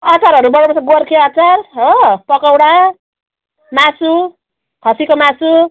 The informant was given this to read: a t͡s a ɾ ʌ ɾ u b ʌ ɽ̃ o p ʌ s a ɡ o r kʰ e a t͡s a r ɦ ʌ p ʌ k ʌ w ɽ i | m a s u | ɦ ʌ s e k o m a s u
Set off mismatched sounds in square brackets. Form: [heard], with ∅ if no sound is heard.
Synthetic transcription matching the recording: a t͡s a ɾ ʌ ɾ u b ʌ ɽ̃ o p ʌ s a ɡ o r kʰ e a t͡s a r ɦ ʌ p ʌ k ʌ w ɽ [a] | m a s u | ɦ ʌ s [i] k o m a s u